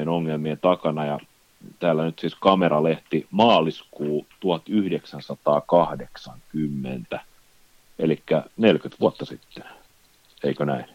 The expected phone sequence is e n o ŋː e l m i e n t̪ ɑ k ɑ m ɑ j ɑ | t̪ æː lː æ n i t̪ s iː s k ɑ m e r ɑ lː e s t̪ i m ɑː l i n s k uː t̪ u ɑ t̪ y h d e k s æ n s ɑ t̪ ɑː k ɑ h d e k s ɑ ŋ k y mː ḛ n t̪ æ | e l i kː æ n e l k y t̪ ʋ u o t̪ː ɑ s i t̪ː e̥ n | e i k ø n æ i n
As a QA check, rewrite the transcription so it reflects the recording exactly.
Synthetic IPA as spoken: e n o ŋː e l m i e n t̪ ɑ k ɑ n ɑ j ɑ | t̪ æː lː æ n y t̪ s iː s k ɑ m e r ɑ l e h t̪ i m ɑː l i s k uː t̪ u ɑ t̪ y h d e k s æ n s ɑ t̪ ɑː k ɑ h d e k s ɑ ŋ k y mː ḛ n t̪ æ | e l i kː æ n e l k y t̪ ʋ u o t̪ː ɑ s i t̪ː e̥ n | e i k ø n æ i n